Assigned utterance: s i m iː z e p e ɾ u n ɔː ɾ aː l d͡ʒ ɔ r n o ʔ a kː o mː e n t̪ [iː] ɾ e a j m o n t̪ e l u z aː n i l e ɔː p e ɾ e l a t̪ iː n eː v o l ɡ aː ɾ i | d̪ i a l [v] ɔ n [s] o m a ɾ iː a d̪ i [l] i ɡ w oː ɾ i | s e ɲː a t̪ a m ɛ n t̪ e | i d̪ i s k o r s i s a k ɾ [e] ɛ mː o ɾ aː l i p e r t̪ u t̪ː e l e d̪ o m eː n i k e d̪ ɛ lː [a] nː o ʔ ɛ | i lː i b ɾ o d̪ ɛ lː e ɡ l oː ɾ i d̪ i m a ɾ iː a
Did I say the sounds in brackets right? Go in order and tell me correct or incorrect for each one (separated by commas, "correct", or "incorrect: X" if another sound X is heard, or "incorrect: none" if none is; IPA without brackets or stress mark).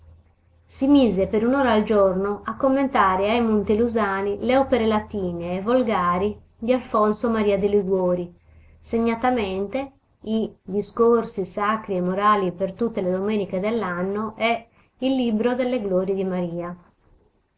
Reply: incorrect: aː, incorrect: f, correct, correct, incorrect: i, correct